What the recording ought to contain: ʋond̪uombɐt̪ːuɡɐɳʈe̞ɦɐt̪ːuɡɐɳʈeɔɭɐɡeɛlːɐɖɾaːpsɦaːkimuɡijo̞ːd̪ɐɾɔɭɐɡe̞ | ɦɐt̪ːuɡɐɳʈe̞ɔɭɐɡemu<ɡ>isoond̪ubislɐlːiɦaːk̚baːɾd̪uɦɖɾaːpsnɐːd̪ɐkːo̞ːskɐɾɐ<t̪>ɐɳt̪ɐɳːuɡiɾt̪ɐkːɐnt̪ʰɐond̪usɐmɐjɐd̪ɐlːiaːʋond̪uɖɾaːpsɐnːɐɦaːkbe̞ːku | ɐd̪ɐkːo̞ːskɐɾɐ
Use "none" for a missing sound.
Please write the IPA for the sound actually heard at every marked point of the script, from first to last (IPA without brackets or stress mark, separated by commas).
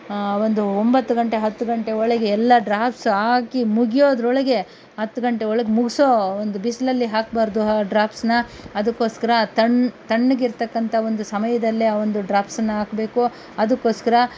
ɡ, t̪